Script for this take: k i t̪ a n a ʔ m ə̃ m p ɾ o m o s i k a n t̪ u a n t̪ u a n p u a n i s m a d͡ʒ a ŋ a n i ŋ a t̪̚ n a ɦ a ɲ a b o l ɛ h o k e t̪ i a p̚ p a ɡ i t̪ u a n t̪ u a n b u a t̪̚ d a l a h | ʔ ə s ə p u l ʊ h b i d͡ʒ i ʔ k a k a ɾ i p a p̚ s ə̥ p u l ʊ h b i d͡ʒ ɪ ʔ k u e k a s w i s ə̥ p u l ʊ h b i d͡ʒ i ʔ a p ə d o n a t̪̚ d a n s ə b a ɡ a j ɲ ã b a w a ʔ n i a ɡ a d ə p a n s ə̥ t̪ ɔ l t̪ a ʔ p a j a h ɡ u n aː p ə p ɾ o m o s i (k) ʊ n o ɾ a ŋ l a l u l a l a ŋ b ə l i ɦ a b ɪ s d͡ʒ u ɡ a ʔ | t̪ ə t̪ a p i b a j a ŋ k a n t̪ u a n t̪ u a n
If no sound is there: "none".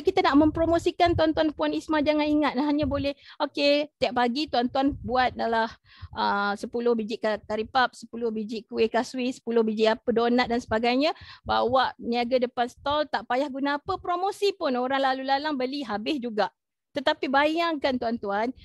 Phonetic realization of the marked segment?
p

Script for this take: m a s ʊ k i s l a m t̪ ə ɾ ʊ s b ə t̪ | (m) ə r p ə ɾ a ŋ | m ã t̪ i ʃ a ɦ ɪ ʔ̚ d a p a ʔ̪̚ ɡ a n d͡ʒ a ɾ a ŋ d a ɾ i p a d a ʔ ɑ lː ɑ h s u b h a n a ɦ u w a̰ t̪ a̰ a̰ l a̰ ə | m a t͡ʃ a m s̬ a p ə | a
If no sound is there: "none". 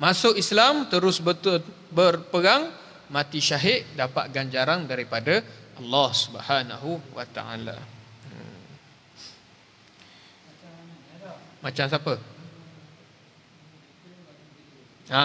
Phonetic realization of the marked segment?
b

